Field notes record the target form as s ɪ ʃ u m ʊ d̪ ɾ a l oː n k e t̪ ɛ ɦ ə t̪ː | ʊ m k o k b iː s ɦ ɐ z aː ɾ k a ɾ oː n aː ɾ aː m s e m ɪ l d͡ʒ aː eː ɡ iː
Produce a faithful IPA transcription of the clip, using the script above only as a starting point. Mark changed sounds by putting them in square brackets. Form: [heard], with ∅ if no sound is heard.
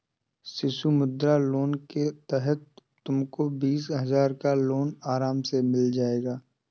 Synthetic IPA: s ɪ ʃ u m ʊ d̪ ɾ a l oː n k e t̪ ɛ ɦ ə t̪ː | ʊ m k o [∅] b iː s ɦ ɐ z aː ɾ k a [l] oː n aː ɾ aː m s e m ɪ l d͡ʒ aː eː ɡ [aː]